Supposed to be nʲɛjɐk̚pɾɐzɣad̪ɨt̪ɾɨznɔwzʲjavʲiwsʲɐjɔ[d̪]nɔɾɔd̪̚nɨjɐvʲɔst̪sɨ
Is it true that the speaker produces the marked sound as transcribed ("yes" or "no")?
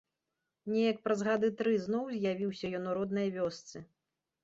no